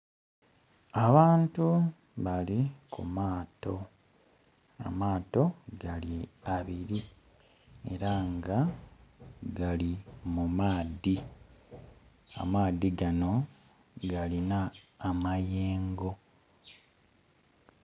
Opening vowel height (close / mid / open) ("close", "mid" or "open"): open